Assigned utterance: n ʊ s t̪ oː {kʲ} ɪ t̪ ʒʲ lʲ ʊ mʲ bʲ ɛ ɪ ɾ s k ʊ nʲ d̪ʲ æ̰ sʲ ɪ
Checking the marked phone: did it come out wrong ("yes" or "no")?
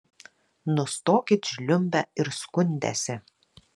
no